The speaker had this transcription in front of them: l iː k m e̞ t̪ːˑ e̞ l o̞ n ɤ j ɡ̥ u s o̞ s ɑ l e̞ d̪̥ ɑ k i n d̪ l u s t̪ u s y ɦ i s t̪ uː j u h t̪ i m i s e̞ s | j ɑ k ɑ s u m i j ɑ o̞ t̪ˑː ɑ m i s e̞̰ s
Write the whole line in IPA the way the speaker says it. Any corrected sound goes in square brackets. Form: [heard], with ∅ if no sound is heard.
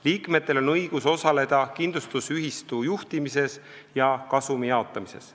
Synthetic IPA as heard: l iː k m e̞ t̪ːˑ e̞ l o̞ n ɤ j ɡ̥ u s o̞ s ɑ l e̞ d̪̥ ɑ k i n d̪ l u s t̪ u s y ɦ i s t̪ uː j u h t̪ i m i s e̞ s | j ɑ k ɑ s u m i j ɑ o̞ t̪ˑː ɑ m i s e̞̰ s